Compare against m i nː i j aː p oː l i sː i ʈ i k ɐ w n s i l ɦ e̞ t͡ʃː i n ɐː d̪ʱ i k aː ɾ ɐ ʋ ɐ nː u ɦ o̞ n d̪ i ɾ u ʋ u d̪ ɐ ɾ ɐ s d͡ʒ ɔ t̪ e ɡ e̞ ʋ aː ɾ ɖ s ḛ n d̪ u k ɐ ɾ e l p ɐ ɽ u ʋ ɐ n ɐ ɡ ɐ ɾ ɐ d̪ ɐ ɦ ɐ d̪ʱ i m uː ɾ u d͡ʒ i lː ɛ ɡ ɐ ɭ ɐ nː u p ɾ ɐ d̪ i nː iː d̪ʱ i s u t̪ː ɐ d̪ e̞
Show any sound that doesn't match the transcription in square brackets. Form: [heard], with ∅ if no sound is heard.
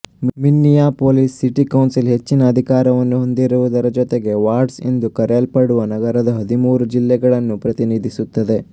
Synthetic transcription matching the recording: m i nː i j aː p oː l i sː i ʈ i k ɐ w n s i l ɦ e̞ t͡ʃː i n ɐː d̪ʱ i k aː ɾ ɐ ʋ ɐ nː u ɦ o̞ n d̪ i ɾ u ʋ u d̪ ɐ ɾ ɐ [∅] d͡ʒ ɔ t̪ e ɡ e̞ ʋ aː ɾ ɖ s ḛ n d̪ u k ɐ ɾ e l p ɐ ɽ u ʋ ɐ n ɐ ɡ ɐ ɾ ɐ d̪ ɐ ɦ ɐ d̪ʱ i m uː ɾ u d͡ʒ i lː ɛ ɡ ɐ ɭ ɐ nː u p ɾ ɐ [t̪] i [n] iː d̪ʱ i s u t̪ː ɐ d̪ e̞